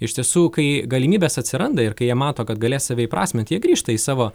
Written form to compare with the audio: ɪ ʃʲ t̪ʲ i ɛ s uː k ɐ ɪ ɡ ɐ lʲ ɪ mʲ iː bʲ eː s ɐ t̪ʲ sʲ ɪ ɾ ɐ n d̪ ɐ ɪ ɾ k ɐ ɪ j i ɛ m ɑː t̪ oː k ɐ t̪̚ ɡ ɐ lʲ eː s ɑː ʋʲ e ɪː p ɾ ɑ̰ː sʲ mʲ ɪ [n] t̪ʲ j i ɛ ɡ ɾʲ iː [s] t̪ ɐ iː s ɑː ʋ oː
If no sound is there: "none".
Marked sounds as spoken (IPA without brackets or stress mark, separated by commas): n, ʃ